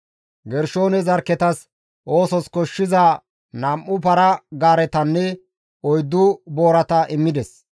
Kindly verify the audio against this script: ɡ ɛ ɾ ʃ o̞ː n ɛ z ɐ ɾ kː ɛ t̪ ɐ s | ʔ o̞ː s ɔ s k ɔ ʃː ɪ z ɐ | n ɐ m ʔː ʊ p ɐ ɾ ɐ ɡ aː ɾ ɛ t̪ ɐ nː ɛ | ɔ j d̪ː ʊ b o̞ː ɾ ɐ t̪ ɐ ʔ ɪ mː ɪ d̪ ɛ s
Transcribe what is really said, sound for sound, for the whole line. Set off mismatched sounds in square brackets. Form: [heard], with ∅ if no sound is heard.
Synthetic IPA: ɡ ɛ ɾ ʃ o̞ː n ɛ z ɐ ɾ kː ɛ t̪ ɐ s | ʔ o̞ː s ɔ s k ɔ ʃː ɪ z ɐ | n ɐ m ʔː ʊ p ɐ ɾ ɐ ɡ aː ɾ ɛ t̪ ɐ nː ɛ | ɔ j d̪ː ʊ b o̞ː ɾ ɐ t̪ ɐ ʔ ɪ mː ɪ d̪ ɛ s